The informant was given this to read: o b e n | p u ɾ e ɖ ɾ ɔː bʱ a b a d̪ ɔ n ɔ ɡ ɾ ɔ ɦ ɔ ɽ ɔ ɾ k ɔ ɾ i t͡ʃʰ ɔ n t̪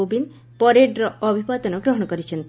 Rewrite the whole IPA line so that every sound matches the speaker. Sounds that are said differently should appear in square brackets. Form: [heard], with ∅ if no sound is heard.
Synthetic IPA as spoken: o b [i] n | p [ɔ] ɾ e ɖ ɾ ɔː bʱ [i] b a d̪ ɔ n ɔ ɡ ɾ ɔ ɦ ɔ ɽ ɔ [∅] k ɔ ɾ i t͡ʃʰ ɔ n t̪